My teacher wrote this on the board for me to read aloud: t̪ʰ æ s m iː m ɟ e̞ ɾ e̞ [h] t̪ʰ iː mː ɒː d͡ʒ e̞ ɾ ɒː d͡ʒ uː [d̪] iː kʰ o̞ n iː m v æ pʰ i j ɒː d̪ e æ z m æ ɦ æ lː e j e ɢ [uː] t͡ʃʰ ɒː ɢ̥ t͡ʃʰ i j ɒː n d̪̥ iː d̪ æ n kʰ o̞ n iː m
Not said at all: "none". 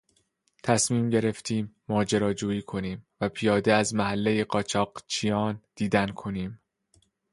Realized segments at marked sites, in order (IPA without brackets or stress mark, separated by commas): f, none, ɒː